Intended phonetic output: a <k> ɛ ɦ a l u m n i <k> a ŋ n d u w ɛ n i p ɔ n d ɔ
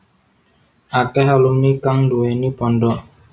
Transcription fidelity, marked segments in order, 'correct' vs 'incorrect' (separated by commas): correct, correct